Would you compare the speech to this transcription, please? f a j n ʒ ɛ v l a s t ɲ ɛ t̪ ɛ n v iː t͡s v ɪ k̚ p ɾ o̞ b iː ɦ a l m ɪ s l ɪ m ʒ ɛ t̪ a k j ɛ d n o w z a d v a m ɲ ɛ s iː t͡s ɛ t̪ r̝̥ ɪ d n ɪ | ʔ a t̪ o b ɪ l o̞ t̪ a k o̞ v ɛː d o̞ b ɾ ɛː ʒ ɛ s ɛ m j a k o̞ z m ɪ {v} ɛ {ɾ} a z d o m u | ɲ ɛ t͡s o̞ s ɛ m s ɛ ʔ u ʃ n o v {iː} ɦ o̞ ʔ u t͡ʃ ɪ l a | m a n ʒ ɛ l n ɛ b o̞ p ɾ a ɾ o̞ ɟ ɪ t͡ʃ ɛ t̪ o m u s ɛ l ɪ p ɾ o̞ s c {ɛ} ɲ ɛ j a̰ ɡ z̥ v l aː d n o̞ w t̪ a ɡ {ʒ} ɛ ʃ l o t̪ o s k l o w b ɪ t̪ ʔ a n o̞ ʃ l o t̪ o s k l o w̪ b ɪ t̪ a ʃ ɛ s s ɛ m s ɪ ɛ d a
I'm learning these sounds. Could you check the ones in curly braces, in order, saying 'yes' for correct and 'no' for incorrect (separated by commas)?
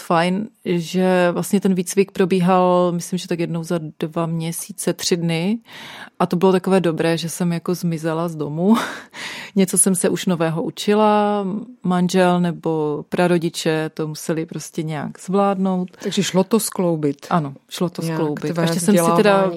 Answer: no, no, no, yes, yes